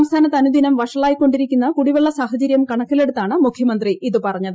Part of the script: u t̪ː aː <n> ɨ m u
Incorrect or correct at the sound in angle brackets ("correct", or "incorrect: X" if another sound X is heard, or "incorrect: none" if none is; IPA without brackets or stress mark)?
incorrect: ɳ